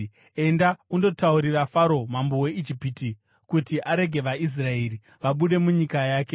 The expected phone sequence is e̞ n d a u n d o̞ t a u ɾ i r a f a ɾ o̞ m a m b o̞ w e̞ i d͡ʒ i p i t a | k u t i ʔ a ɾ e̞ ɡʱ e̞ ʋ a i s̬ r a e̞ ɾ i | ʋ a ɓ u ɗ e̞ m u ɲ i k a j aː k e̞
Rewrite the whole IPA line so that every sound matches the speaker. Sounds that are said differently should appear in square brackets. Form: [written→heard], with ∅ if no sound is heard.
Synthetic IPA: e̞ n d a u n d o̞ t a u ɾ i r a f a ɾ o̞ m a m b o̞ w e̞ i d͡ʒ i p i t [a→i] | k u t i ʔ a ɾ e̞ ɡʱ e̞ ʋ a i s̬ r a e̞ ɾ i | ʋ a ɓ u ɗ e̞ m u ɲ i k a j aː k e̞